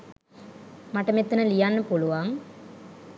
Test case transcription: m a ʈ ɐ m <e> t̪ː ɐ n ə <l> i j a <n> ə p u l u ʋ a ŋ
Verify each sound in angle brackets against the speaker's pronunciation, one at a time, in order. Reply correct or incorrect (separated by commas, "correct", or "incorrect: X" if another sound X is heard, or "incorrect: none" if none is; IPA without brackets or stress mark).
correct, correct, incorrect: nː